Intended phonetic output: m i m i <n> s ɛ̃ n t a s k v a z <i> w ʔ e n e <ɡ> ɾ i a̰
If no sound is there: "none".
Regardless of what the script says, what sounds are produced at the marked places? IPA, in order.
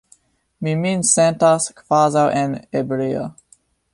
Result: n, a, b

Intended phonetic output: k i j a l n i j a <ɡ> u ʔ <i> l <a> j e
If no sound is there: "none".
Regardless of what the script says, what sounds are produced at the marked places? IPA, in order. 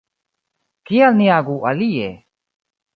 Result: ɡ, a, i

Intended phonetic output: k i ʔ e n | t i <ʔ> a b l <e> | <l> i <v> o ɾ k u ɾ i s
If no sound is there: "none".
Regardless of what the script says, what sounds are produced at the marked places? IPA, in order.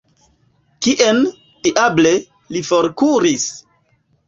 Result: ʔ, e, l, f

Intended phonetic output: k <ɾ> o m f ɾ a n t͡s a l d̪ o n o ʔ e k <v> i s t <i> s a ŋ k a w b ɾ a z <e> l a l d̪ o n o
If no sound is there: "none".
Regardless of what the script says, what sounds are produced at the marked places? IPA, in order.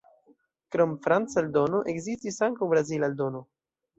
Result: ɾ, z, i, i

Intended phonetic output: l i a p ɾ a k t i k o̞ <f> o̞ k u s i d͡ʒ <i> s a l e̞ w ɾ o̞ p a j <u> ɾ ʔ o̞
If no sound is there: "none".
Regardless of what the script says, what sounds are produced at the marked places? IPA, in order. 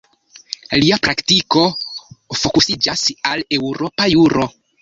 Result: f, a, u

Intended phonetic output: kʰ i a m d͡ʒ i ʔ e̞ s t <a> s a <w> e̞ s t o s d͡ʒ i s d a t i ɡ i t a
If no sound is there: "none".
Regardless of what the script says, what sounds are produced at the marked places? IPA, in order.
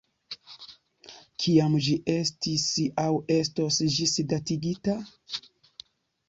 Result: i, w

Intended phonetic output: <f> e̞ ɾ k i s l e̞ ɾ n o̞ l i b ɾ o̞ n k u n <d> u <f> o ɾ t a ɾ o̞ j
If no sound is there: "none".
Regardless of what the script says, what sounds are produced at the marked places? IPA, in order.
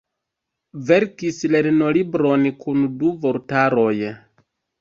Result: v, d, v

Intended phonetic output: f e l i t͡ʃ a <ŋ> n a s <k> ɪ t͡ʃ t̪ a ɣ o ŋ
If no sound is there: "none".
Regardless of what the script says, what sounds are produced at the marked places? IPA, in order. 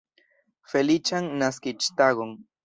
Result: ŋ, k

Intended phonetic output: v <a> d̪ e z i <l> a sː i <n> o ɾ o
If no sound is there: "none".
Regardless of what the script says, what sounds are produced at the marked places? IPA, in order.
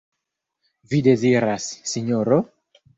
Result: i, ɾ, ɲ

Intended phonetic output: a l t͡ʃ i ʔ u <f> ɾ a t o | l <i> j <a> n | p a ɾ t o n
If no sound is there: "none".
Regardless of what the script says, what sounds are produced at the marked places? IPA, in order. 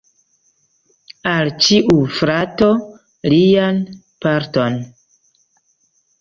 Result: f, i, a

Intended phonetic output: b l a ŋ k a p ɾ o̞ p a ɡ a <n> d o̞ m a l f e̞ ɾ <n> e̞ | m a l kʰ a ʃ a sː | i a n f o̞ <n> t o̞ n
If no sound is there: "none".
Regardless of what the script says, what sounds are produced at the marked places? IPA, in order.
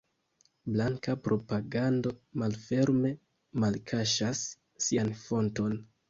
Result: n, m, n

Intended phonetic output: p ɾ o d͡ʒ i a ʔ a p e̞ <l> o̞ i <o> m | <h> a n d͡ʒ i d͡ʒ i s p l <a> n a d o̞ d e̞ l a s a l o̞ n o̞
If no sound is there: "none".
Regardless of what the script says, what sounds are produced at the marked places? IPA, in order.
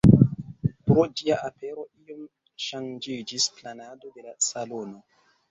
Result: ɾ, o, ʃ, a

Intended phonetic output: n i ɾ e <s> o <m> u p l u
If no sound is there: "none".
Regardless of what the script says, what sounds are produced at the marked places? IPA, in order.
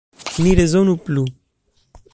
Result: z, n

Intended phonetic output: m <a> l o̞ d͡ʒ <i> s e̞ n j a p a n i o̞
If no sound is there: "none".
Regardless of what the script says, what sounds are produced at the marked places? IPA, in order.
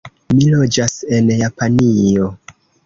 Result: i, a

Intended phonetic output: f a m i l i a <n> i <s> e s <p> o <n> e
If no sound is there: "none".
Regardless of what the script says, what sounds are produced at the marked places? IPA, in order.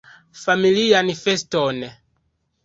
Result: n, f, t, n

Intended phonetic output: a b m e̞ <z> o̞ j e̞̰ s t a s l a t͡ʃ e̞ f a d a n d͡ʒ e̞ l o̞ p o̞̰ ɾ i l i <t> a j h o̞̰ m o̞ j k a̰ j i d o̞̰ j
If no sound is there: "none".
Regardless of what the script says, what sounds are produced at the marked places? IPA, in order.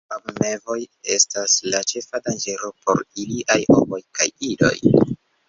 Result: v, ʔ

